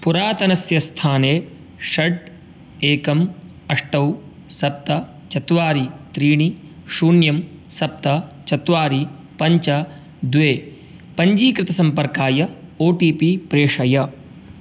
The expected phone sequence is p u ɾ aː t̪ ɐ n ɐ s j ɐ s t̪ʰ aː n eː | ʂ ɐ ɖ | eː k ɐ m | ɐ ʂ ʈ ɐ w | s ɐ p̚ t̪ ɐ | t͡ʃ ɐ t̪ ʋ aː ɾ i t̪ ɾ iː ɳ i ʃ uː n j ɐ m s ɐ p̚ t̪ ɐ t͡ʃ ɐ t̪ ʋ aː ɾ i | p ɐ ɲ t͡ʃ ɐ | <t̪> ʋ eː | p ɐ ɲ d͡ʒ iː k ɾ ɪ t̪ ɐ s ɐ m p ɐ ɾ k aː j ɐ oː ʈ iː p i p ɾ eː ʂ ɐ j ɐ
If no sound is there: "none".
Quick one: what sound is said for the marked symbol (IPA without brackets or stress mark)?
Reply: d̪